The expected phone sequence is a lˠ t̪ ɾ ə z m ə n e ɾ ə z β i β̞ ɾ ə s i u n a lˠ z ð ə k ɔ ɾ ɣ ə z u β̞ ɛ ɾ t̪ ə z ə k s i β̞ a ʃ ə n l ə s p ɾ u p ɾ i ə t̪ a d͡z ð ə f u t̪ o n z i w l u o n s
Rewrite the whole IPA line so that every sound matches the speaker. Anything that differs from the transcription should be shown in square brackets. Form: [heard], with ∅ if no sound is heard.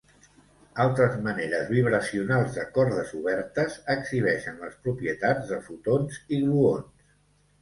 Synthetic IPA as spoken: a lˠ t̪ ɾ ə z m ə n e ɾ ə z β i β̞ ɾ ə s i u n a lˠ z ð ə k ɔ ɾ [ð] ə z u β̞ ɛ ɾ t̪ ə z ə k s i β̞ [ɛ] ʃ ə n l ə s p ɾ u p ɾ i ə t̪ a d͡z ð ə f u t̪ o n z i [ɣ] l u o n s